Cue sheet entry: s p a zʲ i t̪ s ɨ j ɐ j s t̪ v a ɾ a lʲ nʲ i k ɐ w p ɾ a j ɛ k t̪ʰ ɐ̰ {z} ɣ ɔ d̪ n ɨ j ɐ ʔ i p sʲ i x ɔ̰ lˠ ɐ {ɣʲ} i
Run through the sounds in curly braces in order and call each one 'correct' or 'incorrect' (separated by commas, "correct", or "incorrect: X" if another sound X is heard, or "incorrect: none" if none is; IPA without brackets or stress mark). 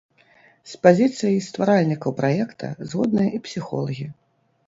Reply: correct, correct